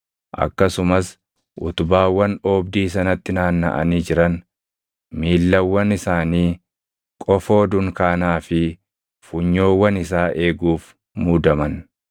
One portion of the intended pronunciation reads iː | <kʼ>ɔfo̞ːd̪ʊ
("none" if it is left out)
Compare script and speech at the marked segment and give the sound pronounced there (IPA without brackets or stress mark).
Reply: kʼ